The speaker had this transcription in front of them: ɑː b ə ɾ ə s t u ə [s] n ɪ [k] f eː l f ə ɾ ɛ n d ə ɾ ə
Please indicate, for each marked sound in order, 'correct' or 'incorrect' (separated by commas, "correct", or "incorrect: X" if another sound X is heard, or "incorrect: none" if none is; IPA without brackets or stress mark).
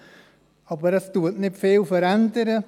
incorrect: t, incorrect: t